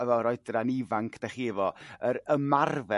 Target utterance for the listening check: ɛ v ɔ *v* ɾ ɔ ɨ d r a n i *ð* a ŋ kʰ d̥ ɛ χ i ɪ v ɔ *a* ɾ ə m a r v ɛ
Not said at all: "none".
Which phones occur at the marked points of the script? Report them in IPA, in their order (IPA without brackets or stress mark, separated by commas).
none, v, ə